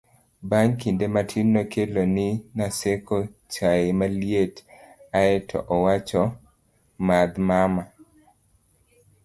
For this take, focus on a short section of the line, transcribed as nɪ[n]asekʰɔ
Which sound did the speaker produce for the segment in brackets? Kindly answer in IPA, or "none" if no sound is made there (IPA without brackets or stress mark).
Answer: n